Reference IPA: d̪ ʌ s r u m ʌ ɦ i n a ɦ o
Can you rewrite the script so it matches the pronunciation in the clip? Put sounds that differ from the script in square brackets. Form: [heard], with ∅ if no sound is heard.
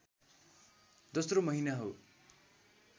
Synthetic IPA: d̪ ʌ s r [o] m ʌ ɦ i n a ɦ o